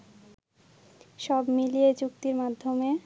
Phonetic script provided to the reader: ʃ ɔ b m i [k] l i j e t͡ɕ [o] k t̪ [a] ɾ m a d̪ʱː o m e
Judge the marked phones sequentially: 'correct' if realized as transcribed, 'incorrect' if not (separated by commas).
incorrect, incorrect, incorrect